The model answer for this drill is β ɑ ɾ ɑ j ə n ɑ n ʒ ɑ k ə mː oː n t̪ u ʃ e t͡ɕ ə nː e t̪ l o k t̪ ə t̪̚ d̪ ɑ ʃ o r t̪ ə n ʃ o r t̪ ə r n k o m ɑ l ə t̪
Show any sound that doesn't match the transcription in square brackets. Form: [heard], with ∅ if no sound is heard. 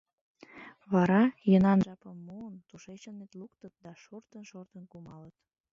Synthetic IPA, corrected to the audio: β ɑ ɾ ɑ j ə n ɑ n ʒ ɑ [p] ə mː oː n t̪ u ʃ e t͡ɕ ə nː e t̪ l [u] k t̪ ə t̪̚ d̪ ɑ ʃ o r t̪ ə n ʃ o r t̪ ə [∅] n k [u] m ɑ l ə t̪